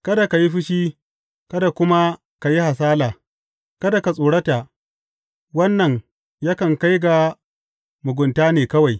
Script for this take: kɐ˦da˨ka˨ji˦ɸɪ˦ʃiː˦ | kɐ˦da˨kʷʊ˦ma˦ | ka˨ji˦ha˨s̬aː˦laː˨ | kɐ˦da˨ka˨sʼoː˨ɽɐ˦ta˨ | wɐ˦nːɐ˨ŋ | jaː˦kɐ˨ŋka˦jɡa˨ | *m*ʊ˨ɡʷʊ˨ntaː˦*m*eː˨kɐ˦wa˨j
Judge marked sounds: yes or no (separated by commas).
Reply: yes, no